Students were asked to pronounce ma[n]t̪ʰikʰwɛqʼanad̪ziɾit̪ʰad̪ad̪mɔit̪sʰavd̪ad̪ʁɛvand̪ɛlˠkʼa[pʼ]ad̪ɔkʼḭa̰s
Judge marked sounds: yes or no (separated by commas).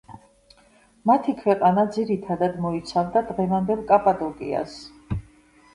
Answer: no, yes